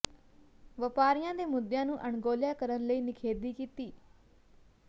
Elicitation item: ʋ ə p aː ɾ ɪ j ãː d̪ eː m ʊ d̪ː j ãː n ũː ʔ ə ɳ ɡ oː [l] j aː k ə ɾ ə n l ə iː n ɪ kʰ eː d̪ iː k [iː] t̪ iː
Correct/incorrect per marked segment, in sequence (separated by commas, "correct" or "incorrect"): correct, correct